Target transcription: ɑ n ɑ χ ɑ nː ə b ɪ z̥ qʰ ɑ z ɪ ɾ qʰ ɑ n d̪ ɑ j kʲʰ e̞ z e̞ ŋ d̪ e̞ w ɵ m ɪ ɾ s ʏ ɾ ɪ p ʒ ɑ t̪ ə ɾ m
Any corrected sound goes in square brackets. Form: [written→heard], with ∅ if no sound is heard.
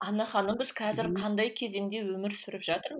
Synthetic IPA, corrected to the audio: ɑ n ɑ χ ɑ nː ə b ɪ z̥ qʰ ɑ z ɪ ɾ qʰ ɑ n d̪ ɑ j kʲʰ e̞ z e̞ ŋ d̪ e̞ w ɵ m ɪ ɾ s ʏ ɾ ɪ p ʒ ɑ t̪ ə ɾ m